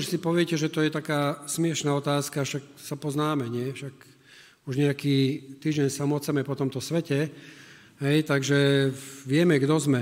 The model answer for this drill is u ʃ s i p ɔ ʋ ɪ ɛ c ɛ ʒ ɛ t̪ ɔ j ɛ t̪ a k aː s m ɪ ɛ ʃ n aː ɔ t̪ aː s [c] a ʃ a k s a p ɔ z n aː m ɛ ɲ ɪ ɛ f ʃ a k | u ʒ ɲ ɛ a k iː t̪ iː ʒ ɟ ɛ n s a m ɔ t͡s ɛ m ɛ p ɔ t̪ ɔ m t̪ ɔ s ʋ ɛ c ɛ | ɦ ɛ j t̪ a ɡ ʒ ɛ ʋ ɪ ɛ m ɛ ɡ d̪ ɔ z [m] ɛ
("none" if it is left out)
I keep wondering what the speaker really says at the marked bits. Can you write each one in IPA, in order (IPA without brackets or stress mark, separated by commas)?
k, m